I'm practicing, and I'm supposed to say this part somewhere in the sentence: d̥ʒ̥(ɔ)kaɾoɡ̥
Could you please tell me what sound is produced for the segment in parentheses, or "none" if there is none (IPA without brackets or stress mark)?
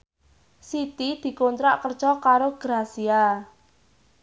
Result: ɔ